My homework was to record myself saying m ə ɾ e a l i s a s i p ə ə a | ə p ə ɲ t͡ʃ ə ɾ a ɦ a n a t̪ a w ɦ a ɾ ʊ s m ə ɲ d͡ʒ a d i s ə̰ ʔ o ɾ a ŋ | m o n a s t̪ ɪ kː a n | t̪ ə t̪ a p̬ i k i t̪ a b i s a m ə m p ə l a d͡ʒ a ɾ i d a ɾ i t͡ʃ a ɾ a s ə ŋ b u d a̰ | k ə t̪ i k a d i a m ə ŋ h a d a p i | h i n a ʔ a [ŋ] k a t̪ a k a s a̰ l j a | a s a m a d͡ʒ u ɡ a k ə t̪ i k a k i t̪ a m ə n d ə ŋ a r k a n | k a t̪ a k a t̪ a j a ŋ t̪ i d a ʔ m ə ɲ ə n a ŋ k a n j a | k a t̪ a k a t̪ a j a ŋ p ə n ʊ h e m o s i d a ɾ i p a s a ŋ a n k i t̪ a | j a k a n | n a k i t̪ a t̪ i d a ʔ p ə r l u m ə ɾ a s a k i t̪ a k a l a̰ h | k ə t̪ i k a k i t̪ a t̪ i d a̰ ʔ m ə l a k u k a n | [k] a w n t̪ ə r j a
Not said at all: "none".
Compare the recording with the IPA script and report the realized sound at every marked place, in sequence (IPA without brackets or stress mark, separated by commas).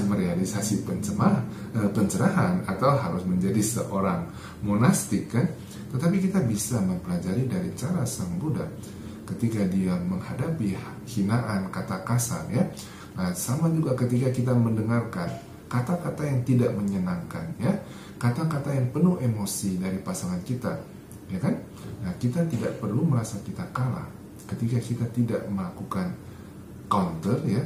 n, k